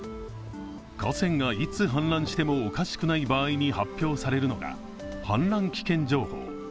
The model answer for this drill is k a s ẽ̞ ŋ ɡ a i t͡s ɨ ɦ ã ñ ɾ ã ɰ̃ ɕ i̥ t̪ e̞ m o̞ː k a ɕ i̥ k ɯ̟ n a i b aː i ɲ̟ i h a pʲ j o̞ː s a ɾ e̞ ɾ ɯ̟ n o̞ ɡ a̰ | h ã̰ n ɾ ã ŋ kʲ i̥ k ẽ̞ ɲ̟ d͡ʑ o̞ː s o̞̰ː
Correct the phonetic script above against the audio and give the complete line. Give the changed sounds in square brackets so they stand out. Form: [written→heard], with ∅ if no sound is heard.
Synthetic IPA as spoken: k a s ẽ̞ ŋ ɡ a i t͡s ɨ ɦ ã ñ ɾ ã ɰ̃ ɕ i̥ t̪ e̞ m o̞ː k a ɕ i̥ k ɯ̟ n a i b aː i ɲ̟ i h a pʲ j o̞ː s a ɾ e̞ ɾ ɯ̟ n o̞ ɡ a̰ | h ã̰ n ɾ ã ŋ kʲ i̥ k ẽ̞ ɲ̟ d͡ʑ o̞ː [s→h] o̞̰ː